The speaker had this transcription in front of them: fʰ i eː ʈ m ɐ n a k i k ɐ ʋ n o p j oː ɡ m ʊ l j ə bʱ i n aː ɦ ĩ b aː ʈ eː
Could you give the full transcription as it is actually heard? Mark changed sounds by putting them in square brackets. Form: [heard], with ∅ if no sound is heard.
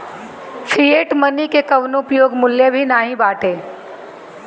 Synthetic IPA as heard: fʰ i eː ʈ m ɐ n [i] k [e] k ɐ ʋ n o p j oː ɡ m ʊ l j ə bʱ i n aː ɦ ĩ b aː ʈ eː